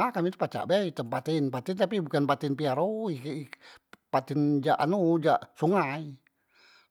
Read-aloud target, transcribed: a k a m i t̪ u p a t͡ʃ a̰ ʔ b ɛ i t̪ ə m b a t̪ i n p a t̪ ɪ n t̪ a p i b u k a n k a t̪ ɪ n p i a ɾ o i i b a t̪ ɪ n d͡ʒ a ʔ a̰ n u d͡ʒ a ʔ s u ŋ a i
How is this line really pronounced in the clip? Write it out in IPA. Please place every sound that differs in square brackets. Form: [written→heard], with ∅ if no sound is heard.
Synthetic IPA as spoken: a k a m i t̪ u p a t͡ʃ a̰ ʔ b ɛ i t̪ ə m [b→p] a t̪ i n p a t̪ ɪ n t̪ a p i b u k a n [k→p] a t̪ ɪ n p i a ɾ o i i [b→p] a t̪ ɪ n d͡ʒ a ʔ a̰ n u d͡ʒ a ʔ s u ŋ a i